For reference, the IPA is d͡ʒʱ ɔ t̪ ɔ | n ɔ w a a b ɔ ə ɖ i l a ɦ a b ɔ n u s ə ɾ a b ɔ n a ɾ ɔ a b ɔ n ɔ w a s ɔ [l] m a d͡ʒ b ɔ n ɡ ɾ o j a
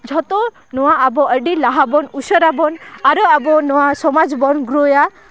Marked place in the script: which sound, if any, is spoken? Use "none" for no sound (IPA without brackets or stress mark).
none